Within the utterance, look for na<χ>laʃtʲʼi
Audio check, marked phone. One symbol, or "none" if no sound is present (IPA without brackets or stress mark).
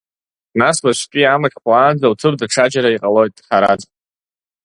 s